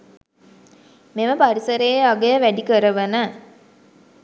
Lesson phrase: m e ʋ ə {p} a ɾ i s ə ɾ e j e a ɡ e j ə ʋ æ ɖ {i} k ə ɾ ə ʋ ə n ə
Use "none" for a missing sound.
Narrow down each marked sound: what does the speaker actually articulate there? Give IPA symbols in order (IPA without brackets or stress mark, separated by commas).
p, i